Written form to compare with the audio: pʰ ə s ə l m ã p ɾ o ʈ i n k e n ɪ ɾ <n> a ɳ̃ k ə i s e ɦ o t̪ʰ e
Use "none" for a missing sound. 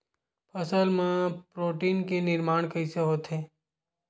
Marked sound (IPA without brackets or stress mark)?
m